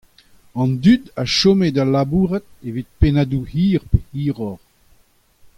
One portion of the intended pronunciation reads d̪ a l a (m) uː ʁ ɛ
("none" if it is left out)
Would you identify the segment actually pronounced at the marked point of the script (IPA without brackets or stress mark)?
b